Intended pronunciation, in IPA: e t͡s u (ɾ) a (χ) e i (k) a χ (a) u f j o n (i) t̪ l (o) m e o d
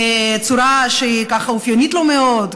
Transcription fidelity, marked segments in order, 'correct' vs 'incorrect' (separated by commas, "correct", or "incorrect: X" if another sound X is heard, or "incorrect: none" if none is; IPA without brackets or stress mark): correct, incorrect: ʃ, correct, correct, correct, correct